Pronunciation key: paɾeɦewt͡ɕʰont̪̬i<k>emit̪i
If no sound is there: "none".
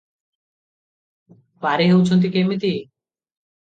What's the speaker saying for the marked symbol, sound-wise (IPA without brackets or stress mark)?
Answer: k